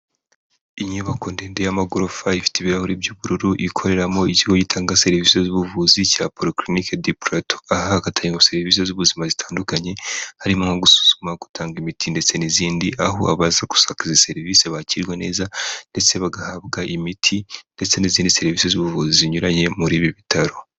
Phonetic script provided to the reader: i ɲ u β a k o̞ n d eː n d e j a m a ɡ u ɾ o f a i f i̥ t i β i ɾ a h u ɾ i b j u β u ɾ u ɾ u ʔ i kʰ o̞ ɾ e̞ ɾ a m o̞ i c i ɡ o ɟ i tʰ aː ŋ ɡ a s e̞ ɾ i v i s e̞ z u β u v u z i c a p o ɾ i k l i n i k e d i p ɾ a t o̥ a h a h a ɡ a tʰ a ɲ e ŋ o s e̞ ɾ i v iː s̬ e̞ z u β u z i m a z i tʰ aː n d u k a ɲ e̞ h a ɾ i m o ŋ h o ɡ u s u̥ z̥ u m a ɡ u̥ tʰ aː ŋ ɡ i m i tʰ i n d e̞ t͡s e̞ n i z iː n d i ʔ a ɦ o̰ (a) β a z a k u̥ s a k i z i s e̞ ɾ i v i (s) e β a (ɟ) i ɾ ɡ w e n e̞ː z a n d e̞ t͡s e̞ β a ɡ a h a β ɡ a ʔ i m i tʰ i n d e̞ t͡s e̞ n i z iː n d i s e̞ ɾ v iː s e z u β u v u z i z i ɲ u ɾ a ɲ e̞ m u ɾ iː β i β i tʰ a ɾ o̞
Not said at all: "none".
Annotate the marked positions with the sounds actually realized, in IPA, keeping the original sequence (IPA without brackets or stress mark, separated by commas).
a, s, c